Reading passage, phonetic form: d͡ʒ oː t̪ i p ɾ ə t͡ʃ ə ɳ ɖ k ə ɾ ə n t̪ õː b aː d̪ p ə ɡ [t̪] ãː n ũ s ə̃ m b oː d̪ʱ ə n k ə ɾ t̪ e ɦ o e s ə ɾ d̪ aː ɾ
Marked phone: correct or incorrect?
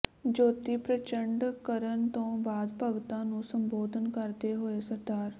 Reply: correct